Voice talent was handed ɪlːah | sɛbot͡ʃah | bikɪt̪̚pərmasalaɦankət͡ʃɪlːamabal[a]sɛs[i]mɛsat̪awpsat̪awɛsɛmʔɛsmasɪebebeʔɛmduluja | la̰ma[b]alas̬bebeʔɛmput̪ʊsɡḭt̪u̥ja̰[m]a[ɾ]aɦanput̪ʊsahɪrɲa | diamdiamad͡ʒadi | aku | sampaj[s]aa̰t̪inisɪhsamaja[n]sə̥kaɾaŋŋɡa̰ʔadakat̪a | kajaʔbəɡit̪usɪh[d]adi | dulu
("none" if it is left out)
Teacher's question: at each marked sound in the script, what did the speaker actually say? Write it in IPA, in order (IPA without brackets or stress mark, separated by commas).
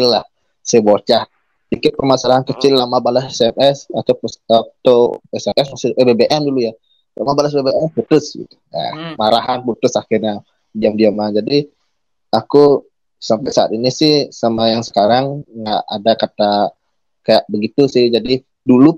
a, ɛ, b, m, ɾ, s, ŋ, d͡ʒ